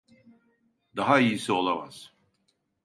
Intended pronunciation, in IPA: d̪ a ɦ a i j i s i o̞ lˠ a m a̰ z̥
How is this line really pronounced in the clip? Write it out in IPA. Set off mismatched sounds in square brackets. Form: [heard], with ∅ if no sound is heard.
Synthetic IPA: d̪ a ɦ a i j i s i o̞ lˠ a m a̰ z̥